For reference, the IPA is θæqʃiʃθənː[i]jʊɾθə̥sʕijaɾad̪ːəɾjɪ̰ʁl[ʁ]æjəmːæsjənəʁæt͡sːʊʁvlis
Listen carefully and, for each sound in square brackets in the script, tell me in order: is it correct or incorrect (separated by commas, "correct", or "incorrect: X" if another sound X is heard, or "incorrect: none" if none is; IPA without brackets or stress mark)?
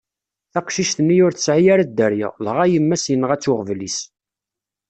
correct, correct